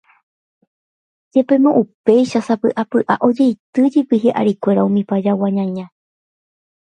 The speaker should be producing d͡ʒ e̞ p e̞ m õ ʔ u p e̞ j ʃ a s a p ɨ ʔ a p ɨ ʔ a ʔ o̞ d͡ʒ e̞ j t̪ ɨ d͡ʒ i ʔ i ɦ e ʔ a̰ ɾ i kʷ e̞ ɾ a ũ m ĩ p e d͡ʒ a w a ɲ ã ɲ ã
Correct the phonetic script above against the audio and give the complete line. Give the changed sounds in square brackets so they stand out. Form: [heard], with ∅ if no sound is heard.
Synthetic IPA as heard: d͡ʒ e̞ p e̞ m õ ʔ u p e̞ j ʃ a s a p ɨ ʔ a p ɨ ʔ a ʔ o̞ d͡ʒ e̞ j t̪ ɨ d͡ʒ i [p] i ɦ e ʔ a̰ ɾ i kʷ e̞ ɾ a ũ m ĩ p [a] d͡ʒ a w a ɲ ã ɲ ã

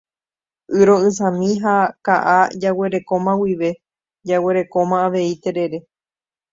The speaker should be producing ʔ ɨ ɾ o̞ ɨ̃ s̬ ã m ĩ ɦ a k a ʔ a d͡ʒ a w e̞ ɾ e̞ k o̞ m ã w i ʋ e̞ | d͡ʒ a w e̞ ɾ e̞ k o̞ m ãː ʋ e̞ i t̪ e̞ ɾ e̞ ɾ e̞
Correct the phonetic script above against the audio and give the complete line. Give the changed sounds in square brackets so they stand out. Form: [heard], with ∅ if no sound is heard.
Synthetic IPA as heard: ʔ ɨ ɾ o̞ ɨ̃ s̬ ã m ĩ ɦ a k a ʔ a d͡ʒ a w e̞ ɾ e̞ k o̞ m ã w i ʋ e̞ | d͡ʒ a w e̞ ɾ e̞ k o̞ m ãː ʋ e̞ i t̪ e̞ ɾ e̞ ɾ e̞

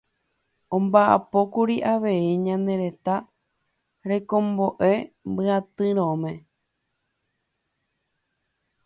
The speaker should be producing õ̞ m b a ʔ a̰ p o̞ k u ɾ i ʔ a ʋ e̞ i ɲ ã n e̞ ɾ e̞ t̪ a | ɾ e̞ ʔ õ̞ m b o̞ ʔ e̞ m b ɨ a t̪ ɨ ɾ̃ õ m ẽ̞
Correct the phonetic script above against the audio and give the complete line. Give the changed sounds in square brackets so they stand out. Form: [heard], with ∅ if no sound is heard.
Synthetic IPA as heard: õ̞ m b a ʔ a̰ p o̞ k u ɾ i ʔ a ʋ e̞ i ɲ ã n e̞ ɾ e̞ t̪ a | ɾ e̞ [k] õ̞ m b o̞ ʔ e̞ m b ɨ a t̪ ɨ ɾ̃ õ m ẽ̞

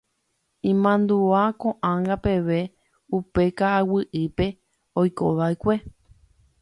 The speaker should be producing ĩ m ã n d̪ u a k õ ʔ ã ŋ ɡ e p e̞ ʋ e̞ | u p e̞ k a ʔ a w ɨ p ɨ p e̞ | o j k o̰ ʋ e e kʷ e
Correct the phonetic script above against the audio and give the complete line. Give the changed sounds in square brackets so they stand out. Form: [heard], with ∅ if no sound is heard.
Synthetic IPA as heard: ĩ m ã n d̪ u a k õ ʔ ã ŋ ɡ [a] p e̞ ʋ e̞ | u p e̞ k a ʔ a w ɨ [ʔ] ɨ p e̞ | o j k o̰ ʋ [a] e kʷ e

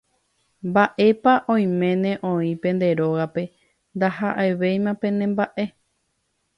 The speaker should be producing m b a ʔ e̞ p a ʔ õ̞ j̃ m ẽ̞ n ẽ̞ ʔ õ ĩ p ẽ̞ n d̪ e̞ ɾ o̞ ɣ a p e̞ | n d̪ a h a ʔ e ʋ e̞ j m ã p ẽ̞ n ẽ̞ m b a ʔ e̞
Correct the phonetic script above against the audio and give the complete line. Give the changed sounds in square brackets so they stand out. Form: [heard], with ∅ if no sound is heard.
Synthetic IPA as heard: m b a ʔ e̞ p a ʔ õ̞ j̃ m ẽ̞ n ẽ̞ ʔ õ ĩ p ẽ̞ n d̪ e̞ ɾ o̞ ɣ a p e̞ | n d̪ a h a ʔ e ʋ e̞ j m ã p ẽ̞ n ẽ̞ m b a ʔ e̞

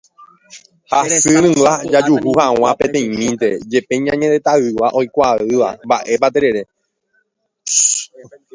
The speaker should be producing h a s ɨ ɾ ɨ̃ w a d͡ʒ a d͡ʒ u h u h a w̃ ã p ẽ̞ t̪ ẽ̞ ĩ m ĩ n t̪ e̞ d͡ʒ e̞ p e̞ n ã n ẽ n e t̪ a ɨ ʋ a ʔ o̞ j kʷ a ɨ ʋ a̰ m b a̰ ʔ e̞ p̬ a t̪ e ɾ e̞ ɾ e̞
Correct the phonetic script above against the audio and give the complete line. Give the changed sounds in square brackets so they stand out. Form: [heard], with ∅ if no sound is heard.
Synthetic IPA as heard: h a s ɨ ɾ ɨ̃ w a d͡ʒ a d͡ʒ u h u h a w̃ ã p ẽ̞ t̪ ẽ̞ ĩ m ĩ n t̪ e̞ d͡ʒ e̞ p e̞ [ɲ] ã [ɲ] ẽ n e t̪ a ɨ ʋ a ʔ o̞ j kʷ a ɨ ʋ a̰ m b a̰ ʔ e̞ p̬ a t̪ e ɾ e̞ ɾ e̞

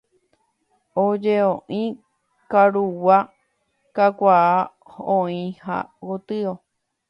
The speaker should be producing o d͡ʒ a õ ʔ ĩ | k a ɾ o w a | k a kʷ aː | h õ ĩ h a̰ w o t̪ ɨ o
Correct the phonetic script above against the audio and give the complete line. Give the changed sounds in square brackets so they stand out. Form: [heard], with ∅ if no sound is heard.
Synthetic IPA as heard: o d͡ʒ [e] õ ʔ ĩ | k a ɾ [u] w a | k a kʷ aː | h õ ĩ h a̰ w o t̪ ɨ o

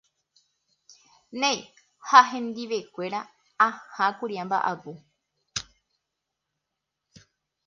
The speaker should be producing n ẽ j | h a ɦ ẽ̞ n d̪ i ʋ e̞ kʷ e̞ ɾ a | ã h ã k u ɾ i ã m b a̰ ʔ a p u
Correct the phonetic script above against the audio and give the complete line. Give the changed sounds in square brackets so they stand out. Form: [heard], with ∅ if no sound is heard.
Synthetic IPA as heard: n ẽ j | h a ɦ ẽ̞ n d̪ i ʋ e̞ kʷ e̞ ɾ a | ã h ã k u ɾ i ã m b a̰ ʔ a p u

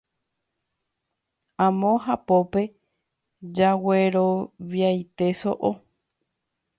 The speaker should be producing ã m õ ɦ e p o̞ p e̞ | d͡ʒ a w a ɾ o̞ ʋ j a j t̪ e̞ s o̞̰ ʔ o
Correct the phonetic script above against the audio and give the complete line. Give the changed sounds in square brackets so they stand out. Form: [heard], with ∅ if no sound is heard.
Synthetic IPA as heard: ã m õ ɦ [a] p o̞ p e̞ | d͡ʒ a w [e] ɾ o̞ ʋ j a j t̪ e̞ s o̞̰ ʔ o

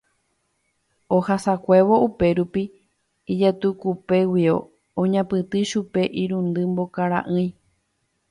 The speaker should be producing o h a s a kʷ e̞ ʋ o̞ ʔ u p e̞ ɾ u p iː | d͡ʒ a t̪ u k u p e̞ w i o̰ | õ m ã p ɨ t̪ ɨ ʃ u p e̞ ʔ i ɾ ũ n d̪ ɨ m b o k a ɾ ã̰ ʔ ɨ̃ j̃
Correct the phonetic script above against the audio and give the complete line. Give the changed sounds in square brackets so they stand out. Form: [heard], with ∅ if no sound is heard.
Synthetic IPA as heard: o h a s a kʷ e̞ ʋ o̞ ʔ u p e̞ ɾ u p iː | d͡ʒ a t̪ u k u p e̞ w i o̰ | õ [ɲ] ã p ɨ t̪ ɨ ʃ u p e̞ ʔ i ɾ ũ n d̪ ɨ m b o k a ɾ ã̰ ʔ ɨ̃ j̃

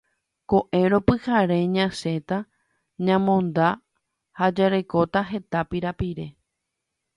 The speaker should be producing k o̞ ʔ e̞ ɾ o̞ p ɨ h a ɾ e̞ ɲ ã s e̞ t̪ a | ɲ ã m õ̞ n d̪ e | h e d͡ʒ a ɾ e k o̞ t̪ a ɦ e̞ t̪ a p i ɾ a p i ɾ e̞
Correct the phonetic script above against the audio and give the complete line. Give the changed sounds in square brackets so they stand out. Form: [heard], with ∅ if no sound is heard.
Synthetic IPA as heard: k o̞ ʔ e̞ ɾ o̞ p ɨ h a ɾ e̞ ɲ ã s e̞ t̪ a | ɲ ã m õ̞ n d̪ [a] | h [a] d͡ʒ a ɾ e k o̞ t̪ a ɦ e̞ t̪ a p i ɾ a p i ɾ e̞

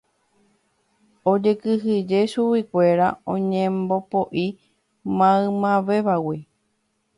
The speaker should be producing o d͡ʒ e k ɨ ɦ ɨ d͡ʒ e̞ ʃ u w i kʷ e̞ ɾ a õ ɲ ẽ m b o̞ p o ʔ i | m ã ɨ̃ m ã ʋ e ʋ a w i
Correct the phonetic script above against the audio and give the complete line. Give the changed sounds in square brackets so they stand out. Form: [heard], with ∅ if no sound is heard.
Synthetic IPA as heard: o d͡ʒ e k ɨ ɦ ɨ d͡ʒ e̞ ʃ u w i kʷ e̞ ɾ a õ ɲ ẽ m b o̞ p o ʔ i | m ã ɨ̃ m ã ʋ e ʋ a w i

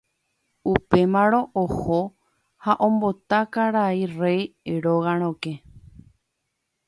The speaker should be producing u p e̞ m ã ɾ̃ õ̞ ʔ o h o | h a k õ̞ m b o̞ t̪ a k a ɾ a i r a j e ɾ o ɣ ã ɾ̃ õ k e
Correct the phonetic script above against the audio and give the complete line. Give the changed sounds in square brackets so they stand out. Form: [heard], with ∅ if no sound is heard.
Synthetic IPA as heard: u p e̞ m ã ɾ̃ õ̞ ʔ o h o | h a [ʔ] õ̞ m b o̞ t̪ a k a ɾ a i r [e] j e ɾ o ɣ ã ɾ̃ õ k e

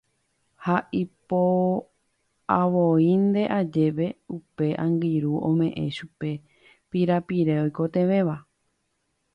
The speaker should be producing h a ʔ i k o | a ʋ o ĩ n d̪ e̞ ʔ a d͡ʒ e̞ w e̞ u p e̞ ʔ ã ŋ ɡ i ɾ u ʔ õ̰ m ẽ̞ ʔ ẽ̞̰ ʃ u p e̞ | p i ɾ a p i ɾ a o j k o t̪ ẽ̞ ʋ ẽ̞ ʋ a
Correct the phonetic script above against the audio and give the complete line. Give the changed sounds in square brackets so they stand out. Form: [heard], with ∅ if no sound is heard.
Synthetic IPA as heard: h a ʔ i [p] o | a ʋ o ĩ n d̪ e̞ ʔ a d͡ʒ e̞ [ʋ] e̞ u p e̞ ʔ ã ŋ ɡ i ɾ u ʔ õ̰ m ẽ̞ ʔ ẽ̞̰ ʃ u p e̞ | p i ɾ a p i ɾ [e] o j k o t̪ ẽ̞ ʋ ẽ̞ ʋ a

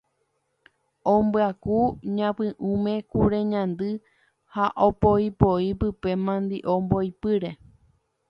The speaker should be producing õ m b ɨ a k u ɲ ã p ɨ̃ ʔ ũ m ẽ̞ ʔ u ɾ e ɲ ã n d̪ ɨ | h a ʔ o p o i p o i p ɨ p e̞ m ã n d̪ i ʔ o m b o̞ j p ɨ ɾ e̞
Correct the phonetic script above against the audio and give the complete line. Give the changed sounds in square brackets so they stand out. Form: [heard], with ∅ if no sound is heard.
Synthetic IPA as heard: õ m b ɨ a k u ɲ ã p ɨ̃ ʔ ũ m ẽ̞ [k] u ɾ e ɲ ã n d̪ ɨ | h a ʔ o p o i p o i p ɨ p e̞ m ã n d̪ i ʔ o m b o̞ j p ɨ ɾ e̞

